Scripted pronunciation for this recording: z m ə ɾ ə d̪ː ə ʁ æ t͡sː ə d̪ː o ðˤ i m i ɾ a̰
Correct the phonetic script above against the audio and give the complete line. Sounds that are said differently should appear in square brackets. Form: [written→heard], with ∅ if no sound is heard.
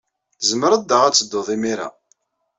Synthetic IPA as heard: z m ə ɾ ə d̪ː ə ʁ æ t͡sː ə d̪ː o ðˤ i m i ɾ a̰